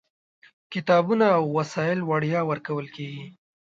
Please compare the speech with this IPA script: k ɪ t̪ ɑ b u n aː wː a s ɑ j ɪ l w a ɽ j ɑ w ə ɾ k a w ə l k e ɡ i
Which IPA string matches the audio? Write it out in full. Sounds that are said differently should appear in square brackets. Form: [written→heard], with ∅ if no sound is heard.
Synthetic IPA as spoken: k ɪ t̪ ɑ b u n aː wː a s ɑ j ɪ l w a ɽ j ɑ w ə ɾ k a w ə l k e ɡ i